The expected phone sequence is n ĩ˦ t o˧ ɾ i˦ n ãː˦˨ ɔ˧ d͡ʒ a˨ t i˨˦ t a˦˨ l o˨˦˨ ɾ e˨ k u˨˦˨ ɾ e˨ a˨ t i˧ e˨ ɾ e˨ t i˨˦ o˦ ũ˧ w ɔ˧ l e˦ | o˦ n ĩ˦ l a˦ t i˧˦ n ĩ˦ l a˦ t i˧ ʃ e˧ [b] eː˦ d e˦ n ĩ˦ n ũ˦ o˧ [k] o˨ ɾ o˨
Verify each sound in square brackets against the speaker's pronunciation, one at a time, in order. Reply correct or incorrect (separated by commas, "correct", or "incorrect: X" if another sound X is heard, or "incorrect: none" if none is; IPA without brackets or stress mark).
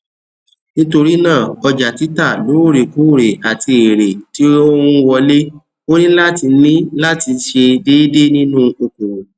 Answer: incorrect: d, correct